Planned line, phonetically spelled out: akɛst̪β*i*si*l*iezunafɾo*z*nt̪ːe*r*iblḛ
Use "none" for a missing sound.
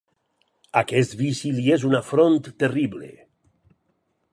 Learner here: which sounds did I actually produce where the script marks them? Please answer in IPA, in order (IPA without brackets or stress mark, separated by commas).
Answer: i, l, none, r